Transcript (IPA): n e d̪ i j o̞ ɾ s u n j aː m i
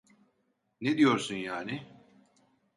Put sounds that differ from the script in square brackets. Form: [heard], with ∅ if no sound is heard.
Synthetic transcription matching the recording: n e d̪ i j o̞ ɾ s u n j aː [n] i